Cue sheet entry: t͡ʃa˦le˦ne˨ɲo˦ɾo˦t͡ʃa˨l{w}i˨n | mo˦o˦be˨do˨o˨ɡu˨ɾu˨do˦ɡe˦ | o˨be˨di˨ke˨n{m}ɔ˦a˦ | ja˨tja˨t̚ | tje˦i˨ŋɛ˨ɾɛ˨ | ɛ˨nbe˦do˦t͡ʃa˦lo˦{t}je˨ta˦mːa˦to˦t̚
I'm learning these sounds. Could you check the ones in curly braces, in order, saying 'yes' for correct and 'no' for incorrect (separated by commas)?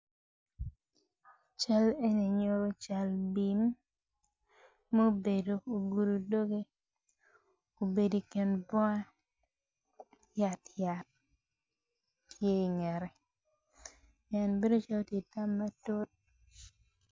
no, no, yes